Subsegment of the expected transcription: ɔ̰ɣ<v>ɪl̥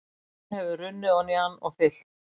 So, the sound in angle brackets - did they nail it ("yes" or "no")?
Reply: no